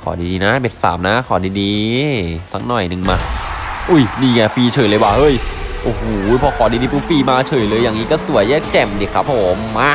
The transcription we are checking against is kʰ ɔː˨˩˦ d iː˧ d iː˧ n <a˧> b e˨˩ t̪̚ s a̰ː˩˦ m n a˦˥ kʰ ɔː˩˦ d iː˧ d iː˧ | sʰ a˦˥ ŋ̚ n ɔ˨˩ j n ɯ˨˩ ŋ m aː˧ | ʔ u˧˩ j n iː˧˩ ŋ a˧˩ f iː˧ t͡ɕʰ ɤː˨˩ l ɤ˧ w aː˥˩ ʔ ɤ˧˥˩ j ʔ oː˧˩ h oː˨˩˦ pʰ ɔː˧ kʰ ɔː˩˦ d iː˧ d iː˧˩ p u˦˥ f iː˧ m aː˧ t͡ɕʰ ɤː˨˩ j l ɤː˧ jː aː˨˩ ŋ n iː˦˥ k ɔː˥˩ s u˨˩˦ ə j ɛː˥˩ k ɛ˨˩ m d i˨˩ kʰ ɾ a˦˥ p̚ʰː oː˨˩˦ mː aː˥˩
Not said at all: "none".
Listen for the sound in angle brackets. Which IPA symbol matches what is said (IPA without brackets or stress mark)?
a˦˥